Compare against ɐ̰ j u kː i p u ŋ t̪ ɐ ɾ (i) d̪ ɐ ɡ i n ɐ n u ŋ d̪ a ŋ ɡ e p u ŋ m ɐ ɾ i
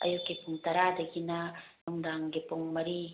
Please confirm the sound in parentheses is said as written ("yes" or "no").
no